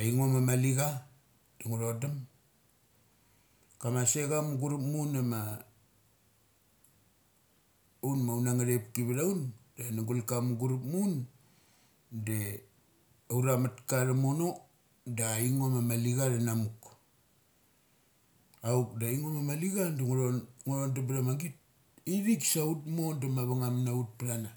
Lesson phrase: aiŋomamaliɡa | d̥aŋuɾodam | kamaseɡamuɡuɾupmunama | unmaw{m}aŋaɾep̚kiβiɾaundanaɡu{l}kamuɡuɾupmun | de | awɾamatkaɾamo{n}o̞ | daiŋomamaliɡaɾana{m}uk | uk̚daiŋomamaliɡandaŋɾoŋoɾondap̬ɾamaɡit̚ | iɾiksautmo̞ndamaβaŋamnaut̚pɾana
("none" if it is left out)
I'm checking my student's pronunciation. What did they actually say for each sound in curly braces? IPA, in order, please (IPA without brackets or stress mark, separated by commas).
n, l, n, m